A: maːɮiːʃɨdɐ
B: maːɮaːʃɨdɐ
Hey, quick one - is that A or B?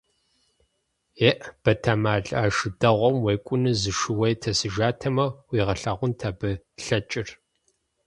B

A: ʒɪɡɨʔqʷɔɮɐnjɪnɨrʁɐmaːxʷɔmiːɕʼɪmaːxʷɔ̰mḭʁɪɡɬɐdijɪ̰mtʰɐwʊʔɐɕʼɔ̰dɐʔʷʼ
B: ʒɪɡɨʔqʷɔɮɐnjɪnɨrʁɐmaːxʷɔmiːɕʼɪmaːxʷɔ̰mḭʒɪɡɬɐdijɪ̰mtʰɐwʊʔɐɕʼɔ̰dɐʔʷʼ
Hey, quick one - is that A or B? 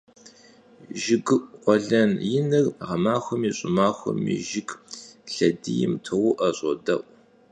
B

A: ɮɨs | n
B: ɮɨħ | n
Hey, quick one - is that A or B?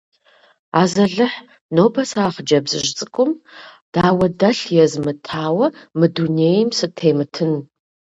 B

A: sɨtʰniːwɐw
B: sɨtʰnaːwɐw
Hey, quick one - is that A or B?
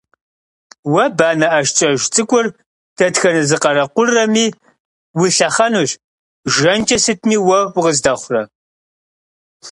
A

